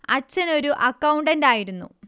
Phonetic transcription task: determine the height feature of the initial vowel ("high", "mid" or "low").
low